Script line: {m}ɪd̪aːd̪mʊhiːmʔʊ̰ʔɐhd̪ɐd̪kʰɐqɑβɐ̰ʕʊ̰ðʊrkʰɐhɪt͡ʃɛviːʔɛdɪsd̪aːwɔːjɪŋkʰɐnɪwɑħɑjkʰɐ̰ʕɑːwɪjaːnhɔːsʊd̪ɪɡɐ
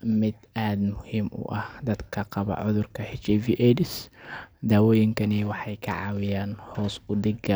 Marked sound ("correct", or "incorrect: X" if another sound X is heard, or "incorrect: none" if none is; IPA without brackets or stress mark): correct